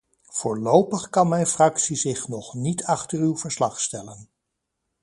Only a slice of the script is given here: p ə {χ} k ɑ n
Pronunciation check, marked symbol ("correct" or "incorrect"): correct